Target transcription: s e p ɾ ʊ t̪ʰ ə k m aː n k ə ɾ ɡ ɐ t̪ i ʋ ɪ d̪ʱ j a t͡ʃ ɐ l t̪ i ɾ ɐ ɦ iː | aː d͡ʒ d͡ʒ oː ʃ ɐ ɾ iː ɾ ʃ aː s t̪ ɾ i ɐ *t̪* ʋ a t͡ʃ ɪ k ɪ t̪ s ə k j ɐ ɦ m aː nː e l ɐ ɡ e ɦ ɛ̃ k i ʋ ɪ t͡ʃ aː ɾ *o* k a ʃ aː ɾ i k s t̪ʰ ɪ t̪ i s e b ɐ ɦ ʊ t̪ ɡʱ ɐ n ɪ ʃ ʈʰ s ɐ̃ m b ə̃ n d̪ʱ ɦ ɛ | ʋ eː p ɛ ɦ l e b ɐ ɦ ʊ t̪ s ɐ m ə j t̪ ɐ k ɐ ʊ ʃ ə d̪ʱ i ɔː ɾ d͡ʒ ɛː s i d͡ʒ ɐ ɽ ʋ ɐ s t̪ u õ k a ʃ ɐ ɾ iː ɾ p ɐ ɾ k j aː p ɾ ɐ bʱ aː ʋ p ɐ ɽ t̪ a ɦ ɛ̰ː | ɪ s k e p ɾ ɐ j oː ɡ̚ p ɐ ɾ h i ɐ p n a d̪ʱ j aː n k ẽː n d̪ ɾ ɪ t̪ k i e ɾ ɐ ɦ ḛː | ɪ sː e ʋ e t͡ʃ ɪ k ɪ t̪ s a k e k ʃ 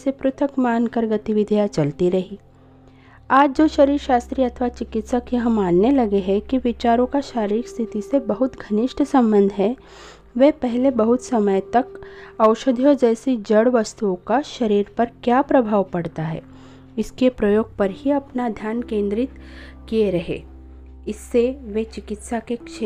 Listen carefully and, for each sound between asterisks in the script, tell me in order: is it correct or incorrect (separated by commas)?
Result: incorrect, incorrect